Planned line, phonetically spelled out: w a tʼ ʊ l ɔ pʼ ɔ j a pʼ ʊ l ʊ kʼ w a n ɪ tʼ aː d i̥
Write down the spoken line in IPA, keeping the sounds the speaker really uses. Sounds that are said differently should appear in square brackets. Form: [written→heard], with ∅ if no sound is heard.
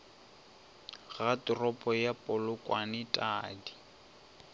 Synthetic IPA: [w→ɣ] a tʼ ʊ [l→r] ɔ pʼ ɔ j a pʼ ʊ l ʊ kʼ w a n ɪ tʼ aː d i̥